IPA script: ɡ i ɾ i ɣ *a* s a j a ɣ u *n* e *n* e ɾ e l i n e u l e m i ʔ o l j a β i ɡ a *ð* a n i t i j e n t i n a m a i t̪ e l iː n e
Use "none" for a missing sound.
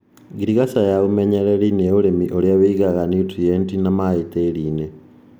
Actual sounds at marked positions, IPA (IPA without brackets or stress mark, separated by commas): a, m, ɲ, ɣ